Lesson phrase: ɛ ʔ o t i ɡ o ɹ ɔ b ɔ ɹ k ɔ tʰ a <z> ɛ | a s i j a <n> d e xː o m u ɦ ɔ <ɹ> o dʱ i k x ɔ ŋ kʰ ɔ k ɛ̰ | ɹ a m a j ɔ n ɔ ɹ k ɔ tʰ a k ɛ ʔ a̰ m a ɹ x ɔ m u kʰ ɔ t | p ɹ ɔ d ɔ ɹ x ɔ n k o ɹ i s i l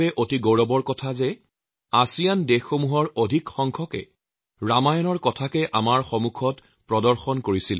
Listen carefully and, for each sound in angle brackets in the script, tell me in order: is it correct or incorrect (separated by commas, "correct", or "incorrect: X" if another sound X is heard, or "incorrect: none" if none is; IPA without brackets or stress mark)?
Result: correct, correct, correct